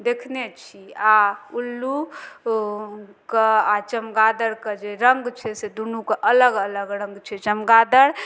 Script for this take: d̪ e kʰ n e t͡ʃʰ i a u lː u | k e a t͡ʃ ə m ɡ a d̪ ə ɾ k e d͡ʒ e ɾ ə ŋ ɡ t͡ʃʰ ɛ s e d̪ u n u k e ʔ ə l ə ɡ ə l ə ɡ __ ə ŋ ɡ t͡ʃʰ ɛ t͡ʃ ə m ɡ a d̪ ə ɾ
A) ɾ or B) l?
A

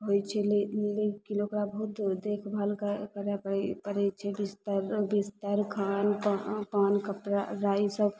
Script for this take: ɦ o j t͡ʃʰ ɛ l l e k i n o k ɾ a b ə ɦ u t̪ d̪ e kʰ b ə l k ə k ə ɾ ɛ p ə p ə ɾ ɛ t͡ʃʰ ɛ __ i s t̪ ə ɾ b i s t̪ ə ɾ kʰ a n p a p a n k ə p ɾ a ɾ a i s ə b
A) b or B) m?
A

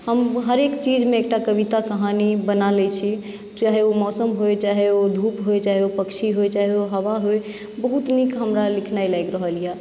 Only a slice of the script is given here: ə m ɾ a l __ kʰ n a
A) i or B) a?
A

